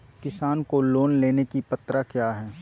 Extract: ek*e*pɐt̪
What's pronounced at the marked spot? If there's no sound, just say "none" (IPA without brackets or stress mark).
i